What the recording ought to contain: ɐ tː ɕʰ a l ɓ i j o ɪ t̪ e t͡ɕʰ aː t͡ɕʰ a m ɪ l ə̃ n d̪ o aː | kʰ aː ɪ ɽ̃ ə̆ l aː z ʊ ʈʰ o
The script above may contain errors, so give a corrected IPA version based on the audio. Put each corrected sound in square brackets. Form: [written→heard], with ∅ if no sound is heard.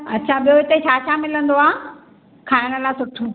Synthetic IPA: ɐ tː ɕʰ a [l→∅] ɓ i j o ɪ t̪ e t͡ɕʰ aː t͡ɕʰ a m ɪ l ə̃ n d̪ o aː | kʰ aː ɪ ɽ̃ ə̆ l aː [z→s] ʊ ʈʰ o